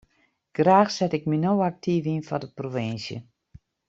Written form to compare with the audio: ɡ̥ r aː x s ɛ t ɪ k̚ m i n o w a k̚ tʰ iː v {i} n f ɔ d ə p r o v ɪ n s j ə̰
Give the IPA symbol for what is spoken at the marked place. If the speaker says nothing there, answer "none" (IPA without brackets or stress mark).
i